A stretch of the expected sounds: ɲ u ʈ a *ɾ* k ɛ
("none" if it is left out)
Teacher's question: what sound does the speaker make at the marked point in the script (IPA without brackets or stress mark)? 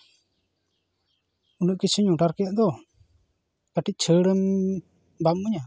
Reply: ɾ